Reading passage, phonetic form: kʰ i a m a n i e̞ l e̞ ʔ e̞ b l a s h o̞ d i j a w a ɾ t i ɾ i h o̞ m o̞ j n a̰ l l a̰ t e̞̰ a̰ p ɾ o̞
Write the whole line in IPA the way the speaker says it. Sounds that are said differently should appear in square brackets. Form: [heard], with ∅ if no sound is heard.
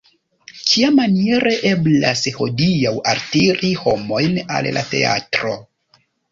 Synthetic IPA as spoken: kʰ i a m a n i e̞ [ɾ] e̞ ʔ e̞ b l a s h o̞ d i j a w a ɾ t i ɾ i h o̞ m o̞ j n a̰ l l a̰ t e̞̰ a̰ [t] ɾ o̞